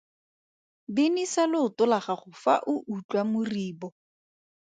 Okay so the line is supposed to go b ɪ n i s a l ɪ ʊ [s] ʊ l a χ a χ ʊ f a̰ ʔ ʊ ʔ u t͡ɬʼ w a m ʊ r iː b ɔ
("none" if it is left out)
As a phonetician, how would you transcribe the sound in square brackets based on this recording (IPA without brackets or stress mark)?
t